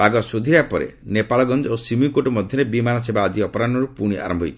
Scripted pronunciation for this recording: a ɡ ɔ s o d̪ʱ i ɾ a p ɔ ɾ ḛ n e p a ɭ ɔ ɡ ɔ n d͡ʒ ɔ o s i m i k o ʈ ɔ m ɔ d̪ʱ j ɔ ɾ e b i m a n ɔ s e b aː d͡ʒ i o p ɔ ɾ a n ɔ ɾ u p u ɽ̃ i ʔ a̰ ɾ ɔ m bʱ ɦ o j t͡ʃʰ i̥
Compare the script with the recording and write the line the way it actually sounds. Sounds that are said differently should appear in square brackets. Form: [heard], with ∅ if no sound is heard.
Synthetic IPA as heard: a ɡ ɔ s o d̪ʱ i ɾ a p ɔ ɾ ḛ n e p a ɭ ɔ ɡ ɔ n d͡ʒ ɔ o s i m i k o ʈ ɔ m ɔ d̪ʱ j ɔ ɾ e b i m a n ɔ s e b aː d͡ʒ i [ɔ] p ɔ ɾ a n ɔ ɾ u p u ɽ̃ i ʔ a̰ ɾ ɔ m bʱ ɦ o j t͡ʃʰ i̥